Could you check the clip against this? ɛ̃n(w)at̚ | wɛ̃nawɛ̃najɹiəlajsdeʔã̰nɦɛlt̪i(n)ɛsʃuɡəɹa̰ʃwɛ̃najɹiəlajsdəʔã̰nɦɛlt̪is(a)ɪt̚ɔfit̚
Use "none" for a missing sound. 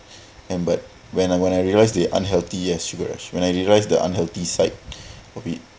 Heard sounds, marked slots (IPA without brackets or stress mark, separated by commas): b, none, a